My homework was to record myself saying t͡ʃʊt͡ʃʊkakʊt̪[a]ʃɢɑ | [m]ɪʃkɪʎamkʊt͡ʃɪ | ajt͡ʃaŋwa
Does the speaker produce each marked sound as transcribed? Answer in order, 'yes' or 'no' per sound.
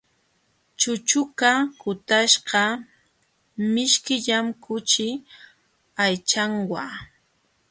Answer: yes, yes

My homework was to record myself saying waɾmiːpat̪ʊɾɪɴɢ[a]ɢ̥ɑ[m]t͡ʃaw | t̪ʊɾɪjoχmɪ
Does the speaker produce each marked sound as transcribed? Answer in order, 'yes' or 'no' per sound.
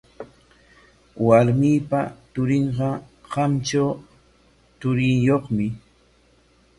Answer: no, yes

